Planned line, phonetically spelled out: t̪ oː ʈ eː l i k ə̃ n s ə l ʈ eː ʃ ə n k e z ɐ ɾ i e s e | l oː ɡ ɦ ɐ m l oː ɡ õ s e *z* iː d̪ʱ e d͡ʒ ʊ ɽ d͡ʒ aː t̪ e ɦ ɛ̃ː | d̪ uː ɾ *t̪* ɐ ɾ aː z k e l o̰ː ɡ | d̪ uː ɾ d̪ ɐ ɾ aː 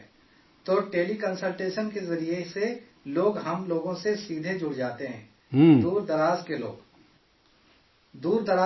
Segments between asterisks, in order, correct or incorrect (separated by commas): incorrect, incorrect